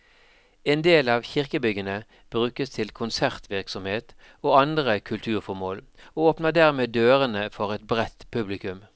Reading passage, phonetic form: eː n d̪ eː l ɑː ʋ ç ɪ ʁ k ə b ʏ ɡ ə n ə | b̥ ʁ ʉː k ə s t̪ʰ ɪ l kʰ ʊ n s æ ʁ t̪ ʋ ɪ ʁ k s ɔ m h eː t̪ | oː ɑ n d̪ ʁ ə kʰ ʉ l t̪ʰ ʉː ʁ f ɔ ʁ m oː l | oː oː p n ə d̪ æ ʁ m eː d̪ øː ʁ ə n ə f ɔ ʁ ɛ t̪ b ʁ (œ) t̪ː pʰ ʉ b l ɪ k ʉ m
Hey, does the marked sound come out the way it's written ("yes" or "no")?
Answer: no